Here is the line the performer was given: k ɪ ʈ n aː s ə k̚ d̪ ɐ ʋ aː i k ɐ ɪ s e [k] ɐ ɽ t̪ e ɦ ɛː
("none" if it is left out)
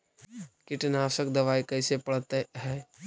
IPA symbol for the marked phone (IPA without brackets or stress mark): p